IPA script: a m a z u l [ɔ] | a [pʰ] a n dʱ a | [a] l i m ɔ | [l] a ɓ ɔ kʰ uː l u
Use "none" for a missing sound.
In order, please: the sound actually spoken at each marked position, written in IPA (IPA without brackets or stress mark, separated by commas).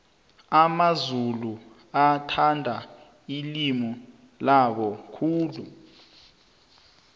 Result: u, tʰ, i, l